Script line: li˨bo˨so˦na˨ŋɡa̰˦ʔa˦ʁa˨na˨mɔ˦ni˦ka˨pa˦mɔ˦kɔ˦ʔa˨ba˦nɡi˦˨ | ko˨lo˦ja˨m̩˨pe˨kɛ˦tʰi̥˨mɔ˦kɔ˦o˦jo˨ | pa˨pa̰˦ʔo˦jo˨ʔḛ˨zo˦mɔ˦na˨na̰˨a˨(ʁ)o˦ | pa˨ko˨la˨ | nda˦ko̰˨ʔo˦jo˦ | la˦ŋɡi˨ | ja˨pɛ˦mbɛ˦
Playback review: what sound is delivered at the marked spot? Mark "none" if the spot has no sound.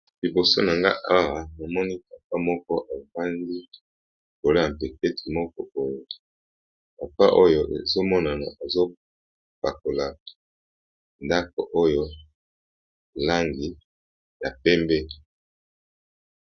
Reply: z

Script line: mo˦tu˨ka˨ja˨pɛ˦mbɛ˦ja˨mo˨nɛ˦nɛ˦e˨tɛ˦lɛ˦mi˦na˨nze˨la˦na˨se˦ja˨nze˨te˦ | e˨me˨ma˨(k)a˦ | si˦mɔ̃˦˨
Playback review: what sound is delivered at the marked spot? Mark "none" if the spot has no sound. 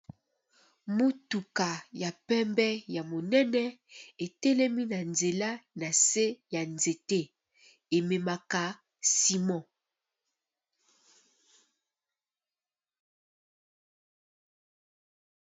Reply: k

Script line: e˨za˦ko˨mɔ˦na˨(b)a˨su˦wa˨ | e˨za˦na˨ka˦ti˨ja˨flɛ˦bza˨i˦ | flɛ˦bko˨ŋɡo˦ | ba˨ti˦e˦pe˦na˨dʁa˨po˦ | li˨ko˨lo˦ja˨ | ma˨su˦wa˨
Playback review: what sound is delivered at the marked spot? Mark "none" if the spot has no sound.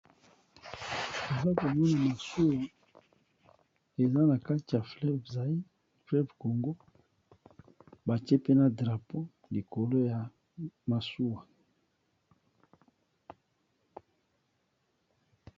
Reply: m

